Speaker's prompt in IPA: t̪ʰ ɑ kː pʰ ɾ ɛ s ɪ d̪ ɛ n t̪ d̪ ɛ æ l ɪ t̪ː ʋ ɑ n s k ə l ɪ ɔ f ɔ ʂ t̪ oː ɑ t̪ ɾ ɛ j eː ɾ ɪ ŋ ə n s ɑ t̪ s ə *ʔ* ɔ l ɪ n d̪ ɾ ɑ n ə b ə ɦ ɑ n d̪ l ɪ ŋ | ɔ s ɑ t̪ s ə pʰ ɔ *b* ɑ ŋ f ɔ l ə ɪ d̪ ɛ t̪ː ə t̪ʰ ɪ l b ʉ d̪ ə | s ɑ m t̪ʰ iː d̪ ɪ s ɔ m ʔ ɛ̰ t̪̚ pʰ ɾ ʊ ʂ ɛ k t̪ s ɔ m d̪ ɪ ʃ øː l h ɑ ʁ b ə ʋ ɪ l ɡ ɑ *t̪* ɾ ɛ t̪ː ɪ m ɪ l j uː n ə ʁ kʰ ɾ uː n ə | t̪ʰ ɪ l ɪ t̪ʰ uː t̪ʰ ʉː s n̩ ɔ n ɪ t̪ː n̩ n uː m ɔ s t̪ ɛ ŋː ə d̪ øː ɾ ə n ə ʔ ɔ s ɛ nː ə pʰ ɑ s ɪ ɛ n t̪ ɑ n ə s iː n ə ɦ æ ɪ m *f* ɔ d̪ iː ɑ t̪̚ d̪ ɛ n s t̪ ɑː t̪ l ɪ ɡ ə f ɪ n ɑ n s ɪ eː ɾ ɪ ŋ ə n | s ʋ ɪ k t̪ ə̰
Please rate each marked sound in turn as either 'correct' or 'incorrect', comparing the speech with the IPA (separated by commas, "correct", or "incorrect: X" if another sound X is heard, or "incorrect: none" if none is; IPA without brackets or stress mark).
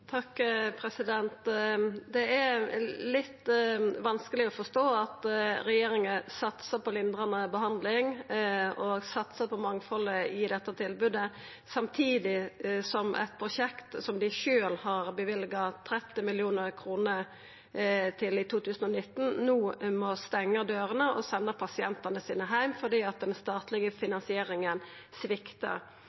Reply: incorrect: p, incorrect: m, incorrect: t̪ʰ, correct